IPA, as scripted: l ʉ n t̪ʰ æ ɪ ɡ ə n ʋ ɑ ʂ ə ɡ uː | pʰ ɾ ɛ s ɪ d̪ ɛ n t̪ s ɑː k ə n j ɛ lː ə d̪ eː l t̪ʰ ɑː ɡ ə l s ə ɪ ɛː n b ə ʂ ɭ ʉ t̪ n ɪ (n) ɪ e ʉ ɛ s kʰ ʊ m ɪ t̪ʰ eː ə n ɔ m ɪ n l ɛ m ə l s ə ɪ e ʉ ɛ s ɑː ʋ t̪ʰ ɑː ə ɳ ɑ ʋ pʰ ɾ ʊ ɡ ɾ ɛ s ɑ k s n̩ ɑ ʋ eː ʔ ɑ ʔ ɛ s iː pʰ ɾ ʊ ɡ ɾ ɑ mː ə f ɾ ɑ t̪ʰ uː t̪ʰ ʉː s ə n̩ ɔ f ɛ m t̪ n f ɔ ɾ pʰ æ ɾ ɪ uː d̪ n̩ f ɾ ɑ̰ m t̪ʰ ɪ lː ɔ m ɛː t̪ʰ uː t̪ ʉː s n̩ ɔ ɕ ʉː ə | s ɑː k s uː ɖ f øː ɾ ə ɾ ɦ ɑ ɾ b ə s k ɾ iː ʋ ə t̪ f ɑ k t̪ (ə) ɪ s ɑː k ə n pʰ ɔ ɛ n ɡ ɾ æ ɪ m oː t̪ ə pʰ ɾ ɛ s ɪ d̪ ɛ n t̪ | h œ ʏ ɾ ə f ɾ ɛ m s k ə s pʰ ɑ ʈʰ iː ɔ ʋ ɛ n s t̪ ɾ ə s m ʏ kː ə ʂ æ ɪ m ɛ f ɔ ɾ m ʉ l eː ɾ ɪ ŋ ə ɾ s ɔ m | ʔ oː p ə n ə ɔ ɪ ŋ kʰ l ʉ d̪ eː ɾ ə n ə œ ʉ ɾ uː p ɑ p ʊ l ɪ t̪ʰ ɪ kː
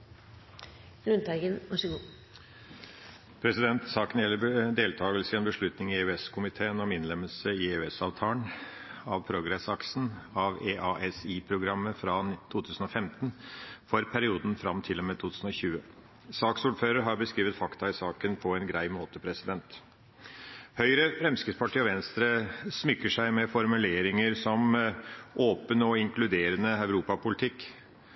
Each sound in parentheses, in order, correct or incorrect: incorrect, incorrect

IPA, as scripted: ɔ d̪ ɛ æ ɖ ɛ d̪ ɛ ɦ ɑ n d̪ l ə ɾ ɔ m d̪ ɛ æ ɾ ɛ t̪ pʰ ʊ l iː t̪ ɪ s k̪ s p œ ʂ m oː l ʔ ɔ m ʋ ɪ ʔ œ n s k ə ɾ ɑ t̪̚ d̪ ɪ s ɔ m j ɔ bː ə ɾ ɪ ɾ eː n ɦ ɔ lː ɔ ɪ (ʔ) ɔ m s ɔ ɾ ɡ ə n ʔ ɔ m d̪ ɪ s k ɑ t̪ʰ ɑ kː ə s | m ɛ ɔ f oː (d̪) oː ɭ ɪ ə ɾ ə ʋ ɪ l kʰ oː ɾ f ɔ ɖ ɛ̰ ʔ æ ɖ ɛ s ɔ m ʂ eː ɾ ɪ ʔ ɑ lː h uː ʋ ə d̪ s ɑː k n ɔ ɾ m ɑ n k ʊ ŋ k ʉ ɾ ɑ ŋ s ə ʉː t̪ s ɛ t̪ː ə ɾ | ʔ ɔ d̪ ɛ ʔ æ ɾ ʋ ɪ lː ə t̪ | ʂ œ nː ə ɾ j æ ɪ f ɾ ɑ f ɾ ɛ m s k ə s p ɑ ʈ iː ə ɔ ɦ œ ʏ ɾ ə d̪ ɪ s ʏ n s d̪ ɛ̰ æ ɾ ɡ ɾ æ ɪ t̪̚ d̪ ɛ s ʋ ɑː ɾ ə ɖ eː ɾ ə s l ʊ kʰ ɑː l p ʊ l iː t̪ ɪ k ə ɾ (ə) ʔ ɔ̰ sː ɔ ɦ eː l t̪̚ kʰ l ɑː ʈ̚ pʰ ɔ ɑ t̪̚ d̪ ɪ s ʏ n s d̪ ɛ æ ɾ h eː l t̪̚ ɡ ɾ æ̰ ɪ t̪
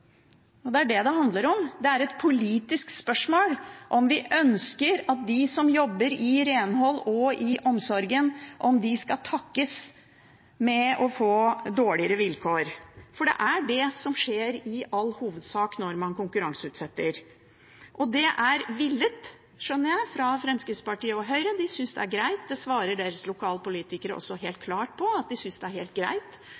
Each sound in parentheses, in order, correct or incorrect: correct, correct, correct

